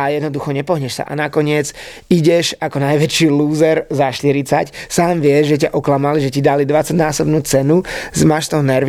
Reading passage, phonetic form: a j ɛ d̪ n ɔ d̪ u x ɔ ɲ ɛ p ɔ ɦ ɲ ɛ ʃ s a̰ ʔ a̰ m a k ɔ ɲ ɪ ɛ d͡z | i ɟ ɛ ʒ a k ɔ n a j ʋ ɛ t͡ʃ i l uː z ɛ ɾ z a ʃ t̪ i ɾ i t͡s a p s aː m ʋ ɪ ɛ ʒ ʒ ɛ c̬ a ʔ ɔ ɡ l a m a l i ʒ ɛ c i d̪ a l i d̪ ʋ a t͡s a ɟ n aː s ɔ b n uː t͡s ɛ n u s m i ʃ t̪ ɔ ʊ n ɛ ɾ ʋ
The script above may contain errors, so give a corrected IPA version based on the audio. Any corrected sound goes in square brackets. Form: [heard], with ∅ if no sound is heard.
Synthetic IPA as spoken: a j ɛ d̪ n ɔ d̪ u x ɔ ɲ ɛ p ɔ ɦ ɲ ɛ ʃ s a̰ ʔ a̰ [n] a k ɔ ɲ ɪ ɛ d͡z | i ɟ ɛ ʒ a k ɔ n a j ʋ ɛ t͡ʃ i l uː z ɛ ɾ z a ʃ t̪ i ɾ i t͡s a [c] s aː m ʋ ɪ ɛ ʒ ʒ ɛ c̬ a ʔ ɔ [k] l a m a l i ʒ ɛ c i d̪ a l i d̪ ʋ a t͡s a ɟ n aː s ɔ b n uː t͡s ɛ n u [z] m [a] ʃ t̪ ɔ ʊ n ɛ ɾ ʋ